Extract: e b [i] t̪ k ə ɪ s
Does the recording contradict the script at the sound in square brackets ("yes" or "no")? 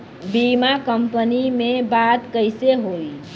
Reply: yes